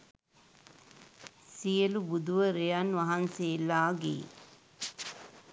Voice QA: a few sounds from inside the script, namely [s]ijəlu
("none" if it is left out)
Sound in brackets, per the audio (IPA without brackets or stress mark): s